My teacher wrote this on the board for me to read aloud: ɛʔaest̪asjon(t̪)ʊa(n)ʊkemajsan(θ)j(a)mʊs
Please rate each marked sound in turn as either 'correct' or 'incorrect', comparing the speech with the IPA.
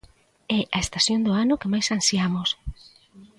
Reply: incorrect: d̪, correct, incorrect: s, correct

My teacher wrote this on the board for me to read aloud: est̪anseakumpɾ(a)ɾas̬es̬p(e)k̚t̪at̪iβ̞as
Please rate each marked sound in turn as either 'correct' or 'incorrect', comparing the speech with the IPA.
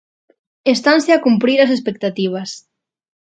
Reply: incorrect: i, correct

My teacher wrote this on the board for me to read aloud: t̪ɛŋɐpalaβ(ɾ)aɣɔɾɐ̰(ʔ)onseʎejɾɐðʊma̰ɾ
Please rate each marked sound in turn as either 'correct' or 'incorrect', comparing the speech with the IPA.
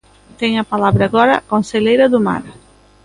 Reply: correct, incorrect: k

